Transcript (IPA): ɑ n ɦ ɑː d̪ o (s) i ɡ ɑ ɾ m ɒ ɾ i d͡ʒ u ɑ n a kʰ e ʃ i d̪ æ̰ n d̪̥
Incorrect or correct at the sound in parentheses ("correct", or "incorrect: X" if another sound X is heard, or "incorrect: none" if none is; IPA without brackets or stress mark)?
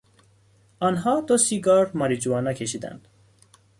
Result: correct